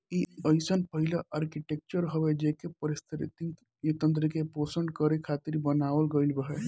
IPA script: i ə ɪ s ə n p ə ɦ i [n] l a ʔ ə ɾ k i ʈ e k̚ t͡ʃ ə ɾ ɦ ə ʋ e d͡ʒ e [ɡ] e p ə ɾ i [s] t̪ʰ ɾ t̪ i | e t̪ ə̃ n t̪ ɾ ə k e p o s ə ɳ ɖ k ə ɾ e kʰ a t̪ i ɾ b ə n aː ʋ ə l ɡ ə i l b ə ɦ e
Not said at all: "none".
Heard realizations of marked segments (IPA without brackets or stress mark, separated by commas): none, k, s